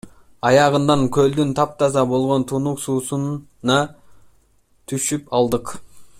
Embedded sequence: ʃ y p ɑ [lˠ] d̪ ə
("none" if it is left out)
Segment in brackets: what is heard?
lˠ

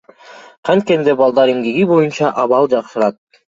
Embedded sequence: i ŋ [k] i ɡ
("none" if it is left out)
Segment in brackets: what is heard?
ɡ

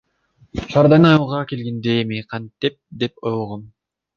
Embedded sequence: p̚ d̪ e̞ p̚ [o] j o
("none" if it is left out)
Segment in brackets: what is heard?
o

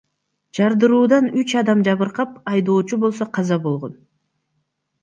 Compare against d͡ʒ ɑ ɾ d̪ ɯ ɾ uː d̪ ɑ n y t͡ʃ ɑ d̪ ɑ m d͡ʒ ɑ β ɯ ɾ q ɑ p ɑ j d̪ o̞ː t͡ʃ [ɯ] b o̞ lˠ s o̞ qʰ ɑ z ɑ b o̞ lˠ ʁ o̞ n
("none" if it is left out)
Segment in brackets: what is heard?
u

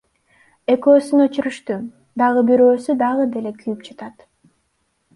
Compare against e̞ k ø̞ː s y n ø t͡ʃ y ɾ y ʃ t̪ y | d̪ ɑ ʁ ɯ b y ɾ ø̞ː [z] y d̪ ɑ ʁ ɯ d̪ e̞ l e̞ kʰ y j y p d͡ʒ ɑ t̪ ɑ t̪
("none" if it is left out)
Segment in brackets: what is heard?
s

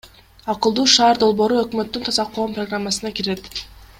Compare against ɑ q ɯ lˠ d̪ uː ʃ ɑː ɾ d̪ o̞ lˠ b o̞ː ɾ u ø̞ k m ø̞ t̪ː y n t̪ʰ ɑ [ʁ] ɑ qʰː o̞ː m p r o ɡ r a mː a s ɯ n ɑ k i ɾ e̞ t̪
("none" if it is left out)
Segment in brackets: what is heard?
z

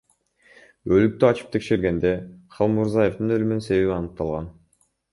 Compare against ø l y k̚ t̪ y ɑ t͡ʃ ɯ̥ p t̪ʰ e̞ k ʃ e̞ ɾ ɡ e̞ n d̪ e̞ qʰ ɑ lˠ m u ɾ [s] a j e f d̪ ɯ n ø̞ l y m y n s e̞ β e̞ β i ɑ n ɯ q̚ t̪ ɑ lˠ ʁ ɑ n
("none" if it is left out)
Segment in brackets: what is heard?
z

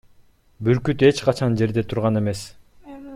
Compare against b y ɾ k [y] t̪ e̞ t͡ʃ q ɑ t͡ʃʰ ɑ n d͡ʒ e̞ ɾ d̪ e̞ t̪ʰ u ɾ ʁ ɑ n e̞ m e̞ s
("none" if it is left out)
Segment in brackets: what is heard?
y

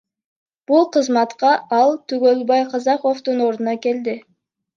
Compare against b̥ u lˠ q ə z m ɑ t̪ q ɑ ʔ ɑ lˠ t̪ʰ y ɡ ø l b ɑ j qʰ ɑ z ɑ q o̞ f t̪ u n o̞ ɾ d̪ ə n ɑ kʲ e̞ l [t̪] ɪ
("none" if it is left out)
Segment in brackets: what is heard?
d̪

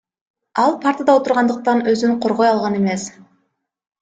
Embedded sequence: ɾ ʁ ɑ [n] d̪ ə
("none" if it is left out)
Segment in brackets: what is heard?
n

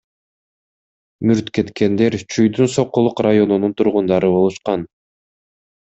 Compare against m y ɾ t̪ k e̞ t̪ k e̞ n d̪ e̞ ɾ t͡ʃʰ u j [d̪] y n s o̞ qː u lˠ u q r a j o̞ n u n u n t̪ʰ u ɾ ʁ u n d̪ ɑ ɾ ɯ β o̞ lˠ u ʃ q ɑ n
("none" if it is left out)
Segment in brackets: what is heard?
d̪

